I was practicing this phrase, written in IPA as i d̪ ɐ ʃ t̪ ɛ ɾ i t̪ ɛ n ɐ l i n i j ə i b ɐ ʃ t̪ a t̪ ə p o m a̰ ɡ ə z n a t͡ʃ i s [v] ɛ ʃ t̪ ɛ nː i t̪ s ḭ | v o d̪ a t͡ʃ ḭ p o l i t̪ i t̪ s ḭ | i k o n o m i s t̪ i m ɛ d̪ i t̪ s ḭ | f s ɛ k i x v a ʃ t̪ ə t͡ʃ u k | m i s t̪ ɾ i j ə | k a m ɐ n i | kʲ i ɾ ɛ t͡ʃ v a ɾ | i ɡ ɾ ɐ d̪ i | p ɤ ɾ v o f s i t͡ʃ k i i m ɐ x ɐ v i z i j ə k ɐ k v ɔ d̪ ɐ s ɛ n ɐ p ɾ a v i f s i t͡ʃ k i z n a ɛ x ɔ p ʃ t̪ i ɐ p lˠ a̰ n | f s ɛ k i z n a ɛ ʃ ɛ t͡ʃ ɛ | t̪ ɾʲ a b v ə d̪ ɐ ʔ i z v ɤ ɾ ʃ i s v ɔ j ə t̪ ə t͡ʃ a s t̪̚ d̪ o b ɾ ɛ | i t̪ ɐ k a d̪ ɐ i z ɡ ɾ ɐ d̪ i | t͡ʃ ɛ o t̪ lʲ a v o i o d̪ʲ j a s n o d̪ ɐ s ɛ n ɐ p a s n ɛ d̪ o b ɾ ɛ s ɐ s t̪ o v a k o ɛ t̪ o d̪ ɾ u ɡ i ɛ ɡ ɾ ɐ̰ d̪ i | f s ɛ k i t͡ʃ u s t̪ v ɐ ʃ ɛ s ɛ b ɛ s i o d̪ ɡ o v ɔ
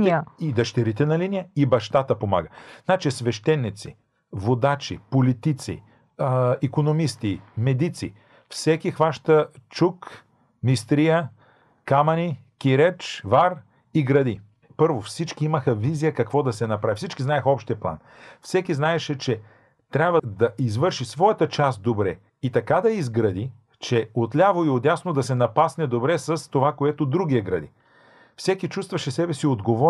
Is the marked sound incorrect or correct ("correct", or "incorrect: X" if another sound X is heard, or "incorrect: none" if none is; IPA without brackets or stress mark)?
correct